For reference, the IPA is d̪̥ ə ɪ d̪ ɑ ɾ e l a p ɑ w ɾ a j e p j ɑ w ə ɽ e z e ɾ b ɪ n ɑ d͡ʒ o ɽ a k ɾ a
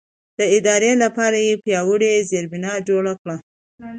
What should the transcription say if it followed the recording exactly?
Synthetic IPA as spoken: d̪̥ ə ɪ d̪ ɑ ɾ e l a p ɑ ɾ a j e p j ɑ w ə ɽ e z e ɾ b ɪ n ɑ d͡ʒ o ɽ a k ɽ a